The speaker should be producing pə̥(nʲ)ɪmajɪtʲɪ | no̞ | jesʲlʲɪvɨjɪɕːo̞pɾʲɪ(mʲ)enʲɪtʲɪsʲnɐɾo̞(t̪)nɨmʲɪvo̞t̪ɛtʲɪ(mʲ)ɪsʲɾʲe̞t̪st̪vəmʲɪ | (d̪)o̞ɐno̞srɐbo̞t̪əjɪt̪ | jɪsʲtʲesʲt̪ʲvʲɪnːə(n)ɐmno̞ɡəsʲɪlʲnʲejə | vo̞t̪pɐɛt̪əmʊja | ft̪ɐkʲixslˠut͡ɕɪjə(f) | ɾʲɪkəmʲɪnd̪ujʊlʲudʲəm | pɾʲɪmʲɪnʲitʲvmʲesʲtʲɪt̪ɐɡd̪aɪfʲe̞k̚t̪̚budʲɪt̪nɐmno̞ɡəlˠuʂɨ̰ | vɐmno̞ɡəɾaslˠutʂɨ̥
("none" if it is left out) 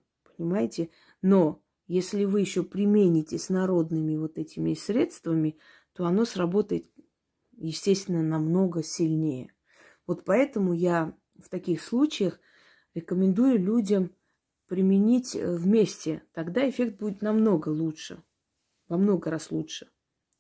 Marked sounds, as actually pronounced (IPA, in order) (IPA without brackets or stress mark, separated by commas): nʲ, mʲ, d̪, mʲ, t̪, n, x